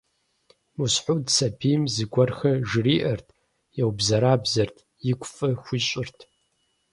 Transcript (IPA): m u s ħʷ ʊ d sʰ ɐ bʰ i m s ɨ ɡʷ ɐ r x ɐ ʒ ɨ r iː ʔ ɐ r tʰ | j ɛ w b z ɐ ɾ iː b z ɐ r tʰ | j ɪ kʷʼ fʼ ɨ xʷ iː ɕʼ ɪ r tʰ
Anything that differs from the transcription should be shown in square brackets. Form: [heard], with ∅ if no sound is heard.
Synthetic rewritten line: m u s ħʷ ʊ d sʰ ɐ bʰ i m [z] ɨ ɡʷ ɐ r x ɐ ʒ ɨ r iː ʔ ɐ r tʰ | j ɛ w b z ɐ ɾ [aː] b z ɐ r tʰ | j ɪ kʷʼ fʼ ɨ xʷ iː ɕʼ ɪ r tʰ

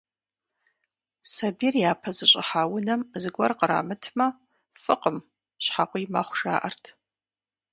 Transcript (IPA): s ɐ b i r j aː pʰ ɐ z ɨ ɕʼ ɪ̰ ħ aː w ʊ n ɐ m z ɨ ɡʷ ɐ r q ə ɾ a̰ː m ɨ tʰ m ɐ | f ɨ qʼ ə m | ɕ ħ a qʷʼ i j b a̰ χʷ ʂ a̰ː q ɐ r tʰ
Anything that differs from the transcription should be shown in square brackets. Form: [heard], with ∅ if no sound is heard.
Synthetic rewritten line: s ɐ b i r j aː pʰ ɐ z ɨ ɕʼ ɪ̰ ħ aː w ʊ n ɐ m z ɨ ɡʷ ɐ r q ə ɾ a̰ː m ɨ tʰ m ɐ | f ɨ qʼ ə m | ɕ ħ a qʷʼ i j [m] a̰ χʷ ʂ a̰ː [ʔ] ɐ r tʰ

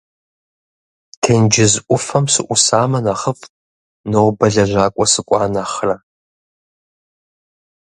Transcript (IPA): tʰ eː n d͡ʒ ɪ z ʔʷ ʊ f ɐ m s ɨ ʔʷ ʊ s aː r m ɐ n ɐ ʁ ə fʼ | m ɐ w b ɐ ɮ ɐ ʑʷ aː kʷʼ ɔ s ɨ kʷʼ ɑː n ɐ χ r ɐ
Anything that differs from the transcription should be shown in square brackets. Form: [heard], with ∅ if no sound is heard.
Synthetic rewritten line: tʰ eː n d͡ʒ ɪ z ʔʷ ʊ f ɐ m s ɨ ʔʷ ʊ s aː [∅] m ɐ n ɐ [χ] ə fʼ | [n] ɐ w b ɐ ɮ ɐ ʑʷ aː kʷʼ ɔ s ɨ kʷʼ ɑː n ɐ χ r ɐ

